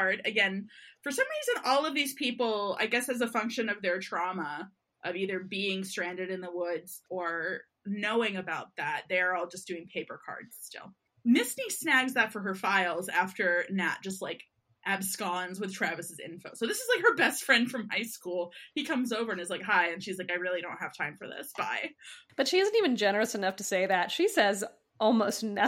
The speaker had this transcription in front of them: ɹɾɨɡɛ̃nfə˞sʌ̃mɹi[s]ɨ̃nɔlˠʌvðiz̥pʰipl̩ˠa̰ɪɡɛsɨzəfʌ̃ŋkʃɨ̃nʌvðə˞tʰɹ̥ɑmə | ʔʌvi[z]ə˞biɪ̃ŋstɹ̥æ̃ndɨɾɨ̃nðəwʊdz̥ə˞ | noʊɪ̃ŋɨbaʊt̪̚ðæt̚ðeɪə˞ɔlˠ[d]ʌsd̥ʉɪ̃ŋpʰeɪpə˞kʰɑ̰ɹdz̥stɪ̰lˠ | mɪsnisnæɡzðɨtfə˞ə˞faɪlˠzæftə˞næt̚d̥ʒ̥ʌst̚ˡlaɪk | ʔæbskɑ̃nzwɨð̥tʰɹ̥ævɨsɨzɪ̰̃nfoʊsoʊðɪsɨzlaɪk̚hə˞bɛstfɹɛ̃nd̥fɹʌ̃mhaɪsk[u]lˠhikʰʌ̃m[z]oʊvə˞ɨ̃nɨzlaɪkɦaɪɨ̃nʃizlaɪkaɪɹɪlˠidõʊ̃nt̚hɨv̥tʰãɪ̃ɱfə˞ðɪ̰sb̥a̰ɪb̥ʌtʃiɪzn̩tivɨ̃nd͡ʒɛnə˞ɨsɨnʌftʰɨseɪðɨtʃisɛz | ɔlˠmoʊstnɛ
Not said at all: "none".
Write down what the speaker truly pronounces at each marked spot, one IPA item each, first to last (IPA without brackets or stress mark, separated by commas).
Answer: z, ð, d͡ʒ, u, z